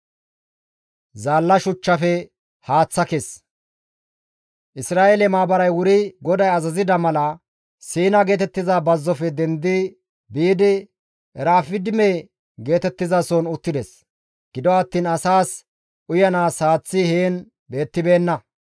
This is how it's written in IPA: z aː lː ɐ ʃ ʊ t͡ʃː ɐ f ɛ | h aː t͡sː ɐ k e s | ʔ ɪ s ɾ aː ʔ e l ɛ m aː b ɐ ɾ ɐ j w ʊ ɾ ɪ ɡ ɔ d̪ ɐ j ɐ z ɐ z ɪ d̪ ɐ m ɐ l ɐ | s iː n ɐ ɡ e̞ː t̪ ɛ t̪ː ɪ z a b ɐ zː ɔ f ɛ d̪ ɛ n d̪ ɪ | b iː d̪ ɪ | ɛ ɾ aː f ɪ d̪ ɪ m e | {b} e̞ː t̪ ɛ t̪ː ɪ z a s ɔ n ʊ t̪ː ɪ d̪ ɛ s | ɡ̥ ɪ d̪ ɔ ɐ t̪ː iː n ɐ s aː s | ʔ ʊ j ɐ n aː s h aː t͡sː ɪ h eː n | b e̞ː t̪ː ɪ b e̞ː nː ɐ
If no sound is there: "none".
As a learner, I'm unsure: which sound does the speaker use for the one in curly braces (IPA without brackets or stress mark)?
ɡ